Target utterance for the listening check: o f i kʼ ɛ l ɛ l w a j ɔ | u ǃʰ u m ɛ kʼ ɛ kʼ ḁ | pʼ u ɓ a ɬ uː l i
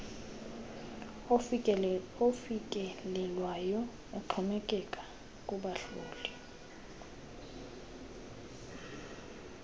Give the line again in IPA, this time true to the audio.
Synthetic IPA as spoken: o f i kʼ ɛ l ɛ l w a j ɔ | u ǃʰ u m ɛ kʼ ɛ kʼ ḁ | kʼ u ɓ a ɬ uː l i

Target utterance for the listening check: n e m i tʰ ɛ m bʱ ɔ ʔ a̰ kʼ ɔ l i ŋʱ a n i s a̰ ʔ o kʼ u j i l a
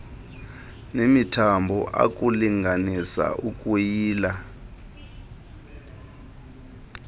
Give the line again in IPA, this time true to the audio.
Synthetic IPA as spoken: n e m i tʰ a m bʱ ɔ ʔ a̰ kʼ u l i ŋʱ a n i s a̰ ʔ u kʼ u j iː l a

